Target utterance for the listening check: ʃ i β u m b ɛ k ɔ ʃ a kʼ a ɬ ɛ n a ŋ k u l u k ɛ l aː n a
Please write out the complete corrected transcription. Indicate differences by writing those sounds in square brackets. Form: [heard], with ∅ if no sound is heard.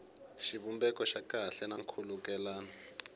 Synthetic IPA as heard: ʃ i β u m b ɛ k ɔ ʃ a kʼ a ɬ ɛ n a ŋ [kʰ] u l u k ɛ l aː n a

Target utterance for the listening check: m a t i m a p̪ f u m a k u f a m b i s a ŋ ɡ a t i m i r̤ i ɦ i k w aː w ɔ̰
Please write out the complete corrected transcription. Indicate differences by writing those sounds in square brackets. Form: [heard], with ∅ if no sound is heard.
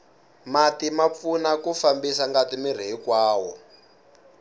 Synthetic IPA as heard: m a t i m a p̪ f u [n] a k u f a m b i s a ŋ ɡ a t i m i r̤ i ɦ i k w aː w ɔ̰

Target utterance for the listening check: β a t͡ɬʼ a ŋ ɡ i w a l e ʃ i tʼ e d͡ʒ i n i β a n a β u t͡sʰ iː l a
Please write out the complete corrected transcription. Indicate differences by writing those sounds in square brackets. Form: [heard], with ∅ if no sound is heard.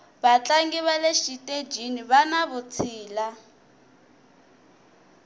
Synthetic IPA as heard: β a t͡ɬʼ a ŋ ɡ i [β] a l e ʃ i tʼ e d͡ʒ i n i β a n a β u t͡sʰ iː l a

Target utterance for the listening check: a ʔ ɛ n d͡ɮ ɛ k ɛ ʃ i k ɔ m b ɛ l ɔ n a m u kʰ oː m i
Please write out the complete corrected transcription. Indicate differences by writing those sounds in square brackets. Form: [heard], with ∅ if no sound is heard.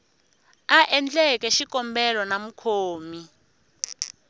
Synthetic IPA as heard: a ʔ ɛ n d͡ɮ ɛ k ɛ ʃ i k ɔ m b ɛ l ɔ n a m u kʰ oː m i

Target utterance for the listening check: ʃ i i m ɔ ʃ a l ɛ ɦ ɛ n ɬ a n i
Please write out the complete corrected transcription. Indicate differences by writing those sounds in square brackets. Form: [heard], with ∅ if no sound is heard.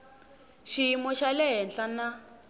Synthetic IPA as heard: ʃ i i m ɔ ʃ a l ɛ ɦ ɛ n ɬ a n [a]

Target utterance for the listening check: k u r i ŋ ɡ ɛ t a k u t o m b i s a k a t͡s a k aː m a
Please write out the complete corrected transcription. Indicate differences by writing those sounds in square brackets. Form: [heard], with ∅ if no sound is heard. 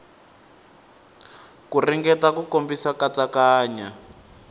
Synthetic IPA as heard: k u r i ŋ ɡ ɛ t a k u [k] o m b i s a k a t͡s a k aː [ɲ] a

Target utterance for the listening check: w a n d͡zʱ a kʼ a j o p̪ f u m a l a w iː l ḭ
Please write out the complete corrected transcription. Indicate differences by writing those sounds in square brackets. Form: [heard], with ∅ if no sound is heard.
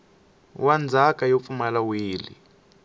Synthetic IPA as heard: w a n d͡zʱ a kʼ a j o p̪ f u m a l a w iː l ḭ

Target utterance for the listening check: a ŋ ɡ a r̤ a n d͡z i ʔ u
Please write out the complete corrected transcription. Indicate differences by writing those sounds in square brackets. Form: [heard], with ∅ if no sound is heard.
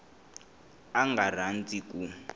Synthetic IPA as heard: a ŋ ɡ a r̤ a n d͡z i [k] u

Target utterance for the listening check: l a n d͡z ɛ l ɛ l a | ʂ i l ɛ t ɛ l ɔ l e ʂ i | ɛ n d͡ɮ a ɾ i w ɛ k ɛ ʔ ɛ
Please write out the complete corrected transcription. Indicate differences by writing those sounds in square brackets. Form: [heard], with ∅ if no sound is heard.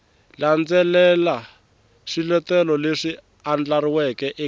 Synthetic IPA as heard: l a n d͡z ɛ l ɛ l a | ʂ i l ɛ t ɛ l ɔ l e ʂ i | [a] n d͡ɮ a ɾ i w ɛ k ɛ ʔ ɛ

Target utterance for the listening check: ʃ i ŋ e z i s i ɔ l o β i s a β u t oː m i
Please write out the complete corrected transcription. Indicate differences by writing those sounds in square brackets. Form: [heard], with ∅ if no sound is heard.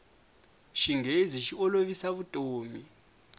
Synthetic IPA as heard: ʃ i ŋ e z i [ʃ] i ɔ l o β i s a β u [tʼ] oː m i

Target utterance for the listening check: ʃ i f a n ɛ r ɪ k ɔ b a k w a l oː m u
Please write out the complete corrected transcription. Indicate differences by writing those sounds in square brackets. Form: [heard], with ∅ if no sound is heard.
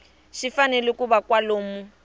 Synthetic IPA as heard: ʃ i f a n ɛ [l] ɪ k [u] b a k w a l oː m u

